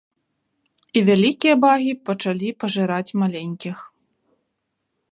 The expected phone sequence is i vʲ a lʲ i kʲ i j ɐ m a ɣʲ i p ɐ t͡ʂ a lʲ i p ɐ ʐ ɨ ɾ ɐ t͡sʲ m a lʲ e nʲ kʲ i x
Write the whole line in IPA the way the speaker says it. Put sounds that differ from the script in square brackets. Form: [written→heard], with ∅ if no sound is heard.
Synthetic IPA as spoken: i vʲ a lʲ i kʲ i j ɐ [m→b] a ɣʲ i p ɐ t͡ʂ a lʲ i p ɐ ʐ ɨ ɾ [ɐ→a] t͡sʲ m a lʲ e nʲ kʲ i x